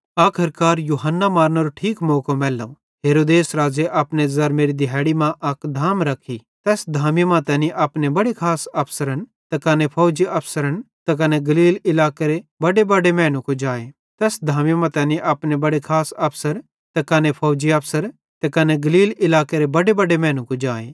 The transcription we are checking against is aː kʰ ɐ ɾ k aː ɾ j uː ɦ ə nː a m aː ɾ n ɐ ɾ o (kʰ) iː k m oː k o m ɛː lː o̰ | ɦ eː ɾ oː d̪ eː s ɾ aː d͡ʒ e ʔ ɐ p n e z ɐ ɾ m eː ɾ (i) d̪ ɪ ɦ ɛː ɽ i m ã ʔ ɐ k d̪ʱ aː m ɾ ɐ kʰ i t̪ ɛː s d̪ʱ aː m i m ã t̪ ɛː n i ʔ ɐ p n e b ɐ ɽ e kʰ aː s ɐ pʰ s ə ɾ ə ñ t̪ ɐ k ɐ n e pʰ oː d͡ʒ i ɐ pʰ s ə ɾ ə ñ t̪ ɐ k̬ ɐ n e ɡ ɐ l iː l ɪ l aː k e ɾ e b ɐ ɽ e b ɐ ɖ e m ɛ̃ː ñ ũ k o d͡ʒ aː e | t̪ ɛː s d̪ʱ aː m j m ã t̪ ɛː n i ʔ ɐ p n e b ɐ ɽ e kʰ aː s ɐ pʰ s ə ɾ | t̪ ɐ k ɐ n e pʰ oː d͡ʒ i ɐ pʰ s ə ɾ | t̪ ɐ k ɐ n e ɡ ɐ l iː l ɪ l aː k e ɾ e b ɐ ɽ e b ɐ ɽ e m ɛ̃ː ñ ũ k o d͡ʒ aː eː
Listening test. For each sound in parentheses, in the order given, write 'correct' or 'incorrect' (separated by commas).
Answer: incorrect, correct